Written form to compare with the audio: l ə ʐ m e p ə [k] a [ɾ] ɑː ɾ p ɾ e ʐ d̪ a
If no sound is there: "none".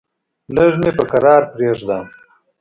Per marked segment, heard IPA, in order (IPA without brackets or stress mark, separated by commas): k, ɾ